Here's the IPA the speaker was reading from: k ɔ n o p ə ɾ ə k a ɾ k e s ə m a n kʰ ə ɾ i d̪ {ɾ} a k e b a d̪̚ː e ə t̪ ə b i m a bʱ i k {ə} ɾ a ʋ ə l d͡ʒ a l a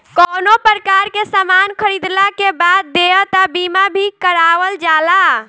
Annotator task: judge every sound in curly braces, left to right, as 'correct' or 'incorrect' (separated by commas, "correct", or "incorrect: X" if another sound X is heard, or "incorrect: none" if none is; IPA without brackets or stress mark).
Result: incorrect: l, correct